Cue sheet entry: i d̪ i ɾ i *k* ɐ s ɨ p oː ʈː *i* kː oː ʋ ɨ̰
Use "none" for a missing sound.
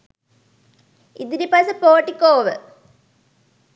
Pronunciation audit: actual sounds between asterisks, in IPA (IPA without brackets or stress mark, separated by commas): p, i